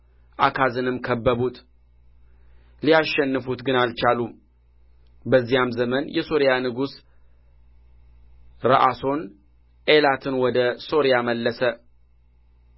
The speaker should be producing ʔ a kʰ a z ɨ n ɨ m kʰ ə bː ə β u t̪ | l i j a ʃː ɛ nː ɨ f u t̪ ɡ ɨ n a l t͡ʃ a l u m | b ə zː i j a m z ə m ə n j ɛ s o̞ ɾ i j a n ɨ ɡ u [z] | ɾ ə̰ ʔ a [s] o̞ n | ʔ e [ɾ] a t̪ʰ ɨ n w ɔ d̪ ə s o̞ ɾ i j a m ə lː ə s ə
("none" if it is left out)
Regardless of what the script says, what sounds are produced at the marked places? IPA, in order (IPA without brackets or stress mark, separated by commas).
s, s, l